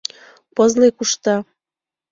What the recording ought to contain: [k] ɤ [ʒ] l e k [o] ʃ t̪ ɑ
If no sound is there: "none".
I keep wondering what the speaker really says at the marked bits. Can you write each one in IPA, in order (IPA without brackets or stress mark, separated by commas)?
p, z, u